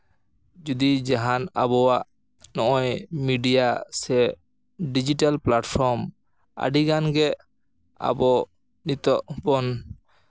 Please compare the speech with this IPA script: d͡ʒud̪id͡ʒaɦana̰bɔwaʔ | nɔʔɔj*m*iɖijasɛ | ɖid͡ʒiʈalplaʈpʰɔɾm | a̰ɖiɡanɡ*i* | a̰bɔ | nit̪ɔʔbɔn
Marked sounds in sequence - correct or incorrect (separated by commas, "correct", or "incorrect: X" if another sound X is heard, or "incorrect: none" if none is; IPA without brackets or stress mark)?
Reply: correct, incorrect: ɛ